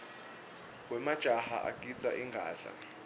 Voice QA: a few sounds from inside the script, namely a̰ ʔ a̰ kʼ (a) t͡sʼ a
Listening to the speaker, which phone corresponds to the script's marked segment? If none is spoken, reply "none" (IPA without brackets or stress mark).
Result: i